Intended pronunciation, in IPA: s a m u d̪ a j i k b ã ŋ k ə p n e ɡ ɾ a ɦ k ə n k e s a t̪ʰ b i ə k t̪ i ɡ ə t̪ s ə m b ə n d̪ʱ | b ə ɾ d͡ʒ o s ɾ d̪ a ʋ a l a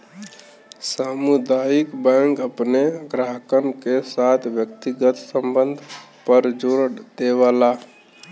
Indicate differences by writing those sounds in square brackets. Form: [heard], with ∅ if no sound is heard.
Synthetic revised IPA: s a m u d̪ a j i k b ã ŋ k ə p n e ɡ ɾ a ɦ k ə n k e s a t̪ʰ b [j] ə k t̪ i ɡ ə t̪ s ə m b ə n d̪ʱ | [p] ə ɾ d͡ʒ o [∅] ɾ d̪ [e] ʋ a l a